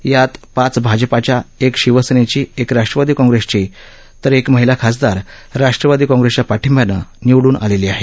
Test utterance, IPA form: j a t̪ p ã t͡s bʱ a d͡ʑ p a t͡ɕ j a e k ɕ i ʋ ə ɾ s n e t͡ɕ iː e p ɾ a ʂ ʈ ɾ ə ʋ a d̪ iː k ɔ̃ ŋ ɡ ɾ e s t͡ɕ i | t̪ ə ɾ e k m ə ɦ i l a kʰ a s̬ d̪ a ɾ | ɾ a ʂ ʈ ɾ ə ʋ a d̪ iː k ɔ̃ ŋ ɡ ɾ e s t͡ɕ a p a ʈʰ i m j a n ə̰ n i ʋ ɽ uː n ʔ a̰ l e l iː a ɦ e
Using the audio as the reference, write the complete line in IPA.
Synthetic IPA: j a t̪ p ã t͡s bʱ a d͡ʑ p a t͡ɕ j a e k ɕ i ʋ ə s n e t͡ɕ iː e k ɾ a ʂ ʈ ɾ ə ʋ a d̪ iː k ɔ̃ ŋ ɡ ɾ e s t͡ɕ i | t̪ ə ɾ e k m ə ɦ i l a kʰ a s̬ d̪ a ɾ | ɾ a ʂ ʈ ɾ ə ʋ a d̪ iː k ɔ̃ ŋ ɡ ɾ e s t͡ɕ a p a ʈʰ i m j a n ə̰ n i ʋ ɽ uː n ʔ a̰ l e l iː a ɦ e